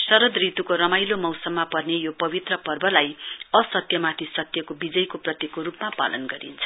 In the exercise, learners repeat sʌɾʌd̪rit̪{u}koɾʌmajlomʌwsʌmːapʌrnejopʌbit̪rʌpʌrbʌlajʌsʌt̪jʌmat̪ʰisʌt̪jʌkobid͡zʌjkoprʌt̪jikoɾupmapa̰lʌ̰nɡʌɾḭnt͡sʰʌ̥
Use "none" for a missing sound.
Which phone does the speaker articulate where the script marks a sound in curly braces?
u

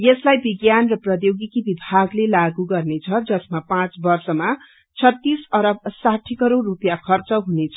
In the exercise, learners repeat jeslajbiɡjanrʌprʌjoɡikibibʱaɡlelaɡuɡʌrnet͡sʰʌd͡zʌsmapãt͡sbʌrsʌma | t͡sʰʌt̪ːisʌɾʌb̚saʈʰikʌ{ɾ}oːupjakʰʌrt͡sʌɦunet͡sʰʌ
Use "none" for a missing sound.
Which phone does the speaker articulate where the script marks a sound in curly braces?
ɾ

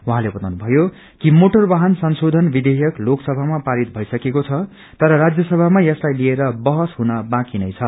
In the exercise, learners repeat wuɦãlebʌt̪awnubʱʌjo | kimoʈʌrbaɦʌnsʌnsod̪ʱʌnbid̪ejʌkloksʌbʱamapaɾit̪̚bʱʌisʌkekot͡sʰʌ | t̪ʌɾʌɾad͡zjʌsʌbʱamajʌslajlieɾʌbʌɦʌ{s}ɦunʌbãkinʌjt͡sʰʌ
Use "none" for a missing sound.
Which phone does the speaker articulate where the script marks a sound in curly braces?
s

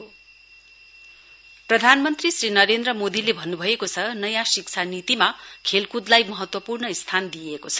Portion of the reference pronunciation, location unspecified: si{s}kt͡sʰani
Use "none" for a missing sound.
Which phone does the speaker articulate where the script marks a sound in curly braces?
none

